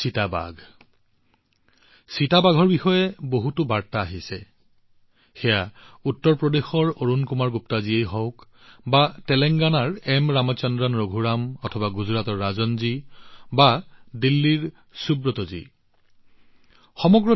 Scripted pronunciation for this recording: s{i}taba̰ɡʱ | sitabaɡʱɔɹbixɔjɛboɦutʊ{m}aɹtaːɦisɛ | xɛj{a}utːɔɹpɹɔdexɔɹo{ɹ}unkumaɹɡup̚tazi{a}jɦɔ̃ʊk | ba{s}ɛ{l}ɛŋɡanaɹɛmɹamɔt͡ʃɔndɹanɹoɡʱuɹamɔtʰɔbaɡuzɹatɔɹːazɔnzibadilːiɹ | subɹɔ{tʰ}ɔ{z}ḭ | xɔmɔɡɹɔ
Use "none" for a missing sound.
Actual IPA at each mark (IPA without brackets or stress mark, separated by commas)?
i, b, a, ɹ, e, t, l, t, z